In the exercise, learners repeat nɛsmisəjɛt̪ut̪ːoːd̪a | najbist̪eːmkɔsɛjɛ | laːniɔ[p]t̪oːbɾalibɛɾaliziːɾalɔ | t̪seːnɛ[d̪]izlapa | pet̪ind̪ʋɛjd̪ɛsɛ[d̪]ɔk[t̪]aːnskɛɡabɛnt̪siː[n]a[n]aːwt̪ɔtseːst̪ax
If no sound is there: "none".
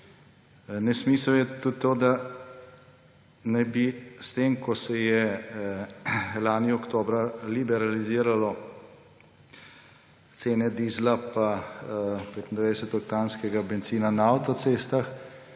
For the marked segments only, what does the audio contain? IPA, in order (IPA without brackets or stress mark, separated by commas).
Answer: k, d̪, t̪, t̪, n, n